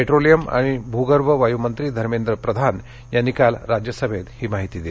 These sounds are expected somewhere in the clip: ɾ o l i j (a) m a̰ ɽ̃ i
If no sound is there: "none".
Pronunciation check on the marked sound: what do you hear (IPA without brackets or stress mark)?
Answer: ə